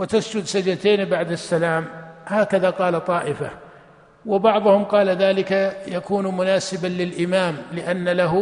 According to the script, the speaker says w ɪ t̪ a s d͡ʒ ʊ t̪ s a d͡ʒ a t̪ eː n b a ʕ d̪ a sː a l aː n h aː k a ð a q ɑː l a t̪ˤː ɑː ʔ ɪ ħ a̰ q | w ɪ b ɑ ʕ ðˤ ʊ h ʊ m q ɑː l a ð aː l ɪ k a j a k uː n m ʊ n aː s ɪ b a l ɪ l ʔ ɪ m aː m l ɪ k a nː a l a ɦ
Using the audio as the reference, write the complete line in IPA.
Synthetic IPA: w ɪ t̪ a s d͡ʒ ʊ d̪ s a d͡ʒ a t̪ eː n b a ʕ d̪ a sː a l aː m h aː k a ð a q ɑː l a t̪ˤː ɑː ʔ ɪ f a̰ | w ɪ b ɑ ʕ ðˤ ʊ h ʊ m q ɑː l a ð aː l ɪ k a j a k uː n m ʊ n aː s ɪ b a l ɪ l ʔ ɪ m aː m l ɪ ʔ a nː a l a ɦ